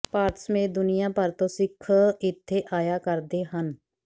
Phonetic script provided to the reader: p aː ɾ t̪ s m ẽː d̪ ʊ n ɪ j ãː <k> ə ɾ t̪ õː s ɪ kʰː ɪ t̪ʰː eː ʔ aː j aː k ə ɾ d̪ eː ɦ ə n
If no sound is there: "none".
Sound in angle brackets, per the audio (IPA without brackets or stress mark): p